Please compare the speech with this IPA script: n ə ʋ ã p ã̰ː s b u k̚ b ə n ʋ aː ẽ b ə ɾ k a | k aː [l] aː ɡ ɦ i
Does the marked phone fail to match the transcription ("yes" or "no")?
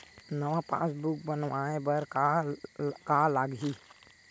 no